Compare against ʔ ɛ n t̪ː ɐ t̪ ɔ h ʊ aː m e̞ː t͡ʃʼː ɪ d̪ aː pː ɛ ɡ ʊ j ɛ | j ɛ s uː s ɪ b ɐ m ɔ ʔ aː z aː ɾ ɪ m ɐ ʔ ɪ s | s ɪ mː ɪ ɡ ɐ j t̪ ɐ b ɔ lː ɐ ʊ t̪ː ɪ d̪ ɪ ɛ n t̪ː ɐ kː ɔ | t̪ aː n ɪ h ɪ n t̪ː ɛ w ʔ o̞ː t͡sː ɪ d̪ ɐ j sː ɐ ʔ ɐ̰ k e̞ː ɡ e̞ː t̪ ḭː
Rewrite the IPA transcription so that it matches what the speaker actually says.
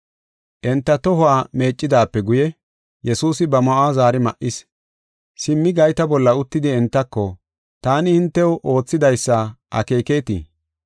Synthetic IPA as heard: ʔ ɛ n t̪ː ɐ t̪ ɔ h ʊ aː m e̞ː t͡ʃʼː ɪ d̪ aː pː ɛ ɡ ʊ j ɛ | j ɛ s uː s ɪ b ɐ m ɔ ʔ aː z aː ɾ ɪ m ɐ ʔ ɪ s | s ɪ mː ɪ ɡ ɐ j t̪ ɐ b ɔ lː ɐ ʊ t̪ː ɪ d̪ ɪ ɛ n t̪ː ɐ kː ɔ | t̪ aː n ɪ h ɪ n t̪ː ɛ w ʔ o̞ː t͡sː ɪ d̪ ɐ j sː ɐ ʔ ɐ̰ k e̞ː k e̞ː t̪ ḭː